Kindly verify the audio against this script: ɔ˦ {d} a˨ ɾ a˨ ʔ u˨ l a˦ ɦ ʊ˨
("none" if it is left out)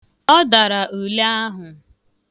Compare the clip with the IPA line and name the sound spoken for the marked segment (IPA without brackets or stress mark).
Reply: d